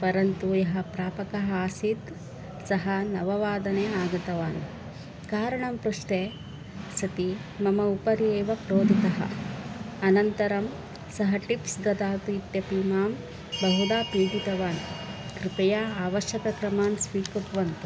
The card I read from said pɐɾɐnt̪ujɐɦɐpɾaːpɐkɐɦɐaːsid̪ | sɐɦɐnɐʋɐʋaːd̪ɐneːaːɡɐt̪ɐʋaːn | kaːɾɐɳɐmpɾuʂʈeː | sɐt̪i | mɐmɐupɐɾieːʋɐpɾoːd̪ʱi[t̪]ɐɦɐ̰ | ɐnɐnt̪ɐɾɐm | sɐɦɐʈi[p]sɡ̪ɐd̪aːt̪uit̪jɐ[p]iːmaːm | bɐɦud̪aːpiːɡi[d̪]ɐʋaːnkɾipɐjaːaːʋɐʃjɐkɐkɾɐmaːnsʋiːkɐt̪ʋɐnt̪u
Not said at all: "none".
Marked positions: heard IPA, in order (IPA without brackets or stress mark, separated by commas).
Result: t̪, p, p, t̪